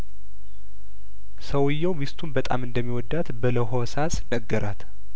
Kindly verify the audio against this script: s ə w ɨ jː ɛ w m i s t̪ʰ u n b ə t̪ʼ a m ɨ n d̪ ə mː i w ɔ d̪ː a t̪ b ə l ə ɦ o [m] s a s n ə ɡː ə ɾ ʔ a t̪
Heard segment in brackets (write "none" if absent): none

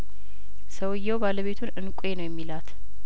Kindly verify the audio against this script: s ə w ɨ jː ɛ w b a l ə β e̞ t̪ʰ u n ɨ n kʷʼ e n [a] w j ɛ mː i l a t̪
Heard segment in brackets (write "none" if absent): ə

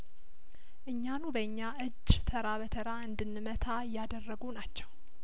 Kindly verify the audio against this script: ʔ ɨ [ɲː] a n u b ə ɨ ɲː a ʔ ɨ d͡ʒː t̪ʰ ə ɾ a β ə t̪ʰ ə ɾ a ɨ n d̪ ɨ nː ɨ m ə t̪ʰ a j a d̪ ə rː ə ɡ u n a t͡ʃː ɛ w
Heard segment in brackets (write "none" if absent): ɲː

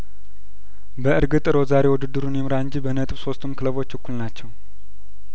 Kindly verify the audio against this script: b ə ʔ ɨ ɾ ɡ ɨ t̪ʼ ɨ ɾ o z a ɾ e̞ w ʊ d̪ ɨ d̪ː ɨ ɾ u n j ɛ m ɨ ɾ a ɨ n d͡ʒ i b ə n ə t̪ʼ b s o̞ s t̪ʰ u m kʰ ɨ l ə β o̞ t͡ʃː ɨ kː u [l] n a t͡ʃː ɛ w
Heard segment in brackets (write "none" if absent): l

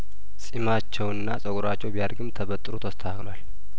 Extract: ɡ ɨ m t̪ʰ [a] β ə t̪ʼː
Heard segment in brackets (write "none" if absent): ə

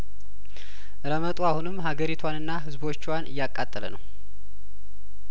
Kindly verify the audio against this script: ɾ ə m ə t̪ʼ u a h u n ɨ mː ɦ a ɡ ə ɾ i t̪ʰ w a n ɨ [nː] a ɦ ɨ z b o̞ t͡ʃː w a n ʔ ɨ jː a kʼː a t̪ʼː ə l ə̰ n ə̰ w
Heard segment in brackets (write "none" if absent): nː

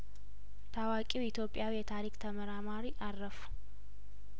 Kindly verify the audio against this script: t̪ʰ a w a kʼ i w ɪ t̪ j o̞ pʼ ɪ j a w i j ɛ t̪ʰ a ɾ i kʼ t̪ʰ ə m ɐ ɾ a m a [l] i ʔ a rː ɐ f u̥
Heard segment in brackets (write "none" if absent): ɾ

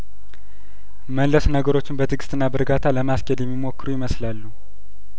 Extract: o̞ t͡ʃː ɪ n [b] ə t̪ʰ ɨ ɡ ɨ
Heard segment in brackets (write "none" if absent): b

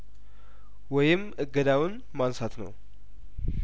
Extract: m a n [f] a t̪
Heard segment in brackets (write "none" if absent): s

